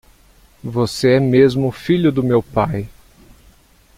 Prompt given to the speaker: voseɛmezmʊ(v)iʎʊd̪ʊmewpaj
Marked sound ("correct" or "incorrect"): incorrect